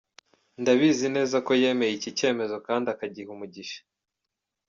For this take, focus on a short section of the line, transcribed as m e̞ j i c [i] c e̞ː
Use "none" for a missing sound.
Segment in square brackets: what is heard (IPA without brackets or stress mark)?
i